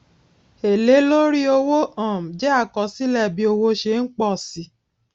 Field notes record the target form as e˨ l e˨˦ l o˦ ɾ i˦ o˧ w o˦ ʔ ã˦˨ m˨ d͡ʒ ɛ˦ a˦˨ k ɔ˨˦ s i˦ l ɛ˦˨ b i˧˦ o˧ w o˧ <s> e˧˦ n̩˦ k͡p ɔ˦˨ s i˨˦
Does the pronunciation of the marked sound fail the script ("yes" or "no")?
yes